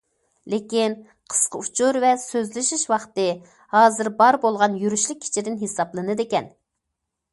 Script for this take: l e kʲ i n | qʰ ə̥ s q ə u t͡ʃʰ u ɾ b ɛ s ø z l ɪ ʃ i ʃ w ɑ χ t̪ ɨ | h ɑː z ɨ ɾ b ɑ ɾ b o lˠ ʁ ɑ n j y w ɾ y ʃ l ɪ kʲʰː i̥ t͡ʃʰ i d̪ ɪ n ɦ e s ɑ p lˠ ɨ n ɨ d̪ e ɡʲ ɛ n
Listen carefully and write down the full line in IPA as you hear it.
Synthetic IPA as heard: l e kʲ i n | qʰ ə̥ s q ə u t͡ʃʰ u ɾ v ɛ s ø z l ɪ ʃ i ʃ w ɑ χ t̪ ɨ | h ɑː z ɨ ɾ b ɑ ɾ b o lˠ ʁ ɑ n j y ɾ y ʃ l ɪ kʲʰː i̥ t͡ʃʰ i d̪ ɪ n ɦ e s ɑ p lˠ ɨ n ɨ d̪ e kʲ ɛ n